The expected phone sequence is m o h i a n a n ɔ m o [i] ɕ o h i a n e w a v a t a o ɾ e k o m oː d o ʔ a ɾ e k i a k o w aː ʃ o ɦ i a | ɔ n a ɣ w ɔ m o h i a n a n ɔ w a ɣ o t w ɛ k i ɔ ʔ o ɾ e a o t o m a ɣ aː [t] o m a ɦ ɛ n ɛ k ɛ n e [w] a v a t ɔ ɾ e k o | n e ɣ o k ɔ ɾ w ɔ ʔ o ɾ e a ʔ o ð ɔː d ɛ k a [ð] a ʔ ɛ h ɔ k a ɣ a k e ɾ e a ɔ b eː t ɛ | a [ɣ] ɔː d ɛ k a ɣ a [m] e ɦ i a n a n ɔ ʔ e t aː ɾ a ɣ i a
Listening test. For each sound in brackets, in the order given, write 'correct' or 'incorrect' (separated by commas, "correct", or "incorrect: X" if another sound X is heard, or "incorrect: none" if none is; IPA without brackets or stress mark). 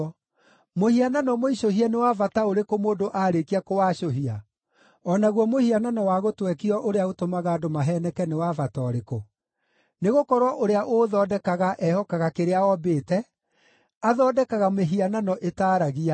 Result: correct, incorrect: d, correct, incorrect: ɣ, incorrect: ð, correct